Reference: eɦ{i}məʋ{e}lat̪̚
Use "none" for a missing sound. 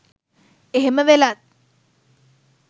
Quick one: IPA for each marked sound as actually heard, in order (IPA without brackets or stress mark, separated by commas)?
e, e